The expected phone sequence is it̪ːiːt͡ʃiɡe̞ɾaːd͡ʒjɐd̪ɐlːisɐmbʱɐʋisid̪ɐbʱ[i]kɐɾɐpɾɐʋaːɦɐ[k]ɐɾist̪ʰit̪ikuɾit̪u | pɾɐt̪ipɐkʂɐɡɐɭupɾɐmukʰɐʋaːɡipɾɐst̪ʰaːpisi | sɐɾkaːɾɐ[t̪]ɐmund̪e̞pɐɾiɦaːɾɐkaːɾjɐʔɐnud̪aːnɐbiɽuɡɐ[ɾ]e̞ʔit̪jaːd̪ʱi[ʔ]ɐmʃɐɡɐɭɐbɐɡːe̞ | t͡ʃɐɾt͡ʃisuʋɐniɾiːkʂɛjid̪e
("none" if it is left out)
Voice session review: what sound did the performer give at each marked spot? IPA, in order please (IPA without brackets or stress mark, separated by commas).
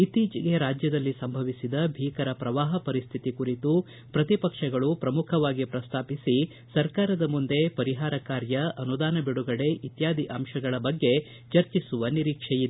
iː, p, d̪, ɽ, ʔ